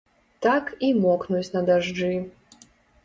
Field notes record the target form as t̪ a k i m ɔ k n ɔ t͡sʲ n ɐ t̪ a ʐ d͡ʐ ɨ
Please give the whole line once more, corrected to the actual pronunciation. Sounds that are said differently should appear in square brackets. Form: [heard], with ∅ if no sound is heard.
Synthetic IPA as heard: t̪ a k i m ɔ k n [u] t͡sʲ n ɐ [d̪] a ʐ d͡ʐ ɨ